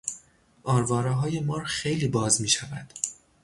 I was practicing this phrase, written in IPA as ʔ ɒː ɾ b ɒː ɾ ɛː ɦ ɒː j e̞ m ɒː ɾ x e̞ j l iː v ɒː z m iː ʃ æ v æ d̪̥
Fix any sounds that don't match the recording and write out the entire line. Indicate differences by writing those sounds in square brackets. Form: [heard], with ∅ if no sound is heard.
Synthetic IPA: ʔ ɒː ɾ [v] ɒː ɾ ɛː ɦ ɒː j e̞ m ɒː ɾ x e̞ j l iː [b] ɒː z m iː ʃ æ v æ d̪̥